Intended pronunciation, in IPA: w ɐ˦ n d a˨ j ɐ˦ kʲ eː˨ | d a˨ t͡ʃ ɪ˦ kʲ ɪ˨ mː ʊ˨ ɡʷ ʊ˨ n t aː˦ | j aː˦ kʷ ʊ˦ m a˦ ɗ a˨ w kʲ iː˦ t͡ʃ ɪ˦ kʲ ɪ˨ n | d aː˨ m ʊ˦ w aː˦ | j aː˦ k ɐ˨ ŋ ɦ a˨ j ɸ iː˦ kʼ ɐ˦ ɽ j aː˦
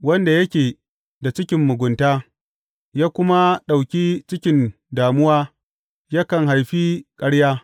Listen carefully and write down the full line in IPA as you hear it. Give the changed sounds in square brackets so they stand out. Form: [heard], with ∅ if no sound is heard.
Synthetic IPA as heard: w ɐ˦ n d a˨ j ɐ˦ kʲ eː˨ | d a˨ t͡ʃ ɪ˦ kʲ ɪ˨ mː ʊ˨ ɡʷ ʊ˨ n t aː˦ | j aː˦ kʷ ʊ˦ m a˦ ɗ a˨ w kʲ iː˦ t͡ʃ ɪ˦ kʲ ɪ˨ n | d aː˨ m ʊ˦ w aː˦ | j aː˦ k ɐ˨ ŋ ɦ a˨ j ɸ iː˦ kʼ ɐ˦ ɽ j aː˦